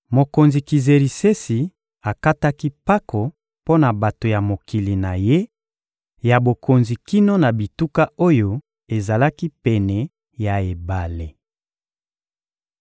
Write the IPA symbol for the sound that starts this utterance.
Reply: m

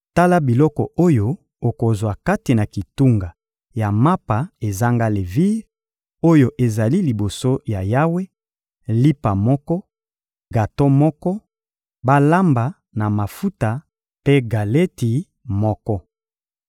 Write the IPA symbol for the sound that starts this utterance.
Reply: t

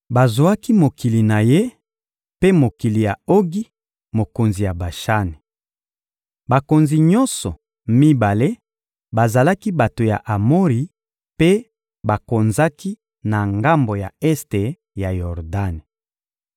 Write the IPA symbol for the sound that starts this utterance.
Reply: b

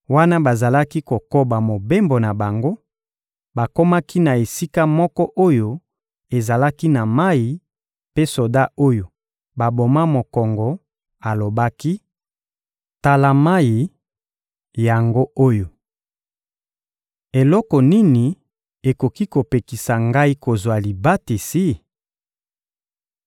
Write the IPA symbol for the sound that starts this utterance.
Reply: w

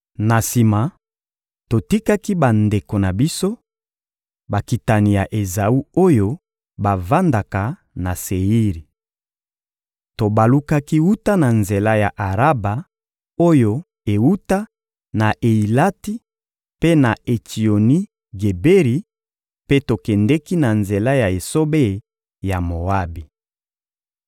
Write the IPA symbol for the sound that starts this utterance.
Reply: n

